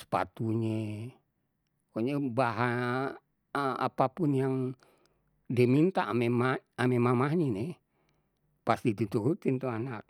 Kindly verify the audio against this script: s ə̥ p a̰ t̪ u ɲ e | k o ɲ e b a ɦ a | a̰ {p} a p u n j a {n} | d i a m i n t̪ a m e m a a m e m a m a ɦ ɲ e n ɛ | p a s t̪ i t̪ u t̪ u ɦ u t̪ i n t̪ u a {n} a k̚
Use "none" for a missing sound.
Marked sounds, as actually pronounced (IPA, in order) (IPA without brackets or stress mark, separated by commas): p, ŋ, n